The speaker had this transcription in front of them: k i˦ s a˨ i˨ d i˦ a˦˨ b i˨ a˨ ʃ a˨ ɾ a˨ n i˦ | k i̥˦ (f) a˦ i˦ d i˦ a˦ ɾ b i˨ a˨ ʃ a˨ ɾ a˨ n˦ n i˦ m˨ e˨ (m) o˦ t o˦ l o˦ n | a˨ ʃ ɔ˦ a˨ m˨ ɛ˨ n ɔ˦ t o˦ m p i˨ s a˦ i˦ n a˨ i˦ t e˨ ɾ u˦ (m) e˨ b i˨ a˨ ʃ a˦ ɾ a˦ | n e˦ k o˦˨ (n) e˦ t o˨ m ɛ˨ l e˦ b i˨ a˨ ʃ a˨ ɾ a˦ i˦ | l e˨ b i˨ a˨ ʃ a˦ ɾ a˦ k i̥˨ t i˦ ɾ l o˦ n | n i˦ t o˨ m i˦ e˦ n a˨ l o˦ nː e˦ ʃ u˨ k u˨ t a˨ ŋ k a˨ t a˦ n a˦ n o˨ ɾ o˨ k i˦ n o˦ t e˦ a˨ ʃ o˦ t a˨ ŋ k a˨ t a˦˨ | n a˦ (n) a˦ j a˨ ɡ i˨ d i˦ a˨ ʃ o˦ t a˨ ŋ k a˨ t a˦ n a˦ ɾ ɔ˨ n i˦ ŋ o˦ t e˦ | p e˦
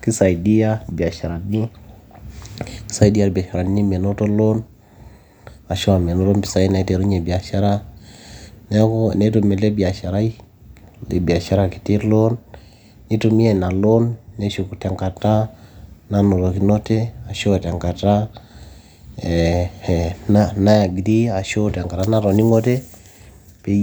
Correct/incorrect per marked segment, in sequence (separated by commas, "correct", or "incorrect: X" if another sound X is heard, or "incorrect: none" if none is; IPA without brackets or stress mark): incorrect: s, incorrect: n, incorrect: ɲ, correct, correct